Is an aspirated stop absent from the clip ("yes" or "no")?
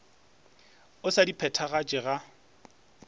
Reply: no